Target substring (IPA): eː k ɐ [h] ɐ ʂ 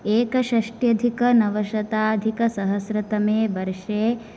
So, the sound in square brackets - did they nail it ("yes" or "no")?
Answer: no